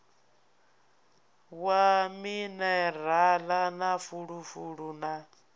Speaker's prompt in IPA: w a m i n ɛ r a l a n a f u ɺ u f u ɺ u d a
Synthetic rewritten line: w a m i n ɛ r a l a n a f u ɺ u f u ɺ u n a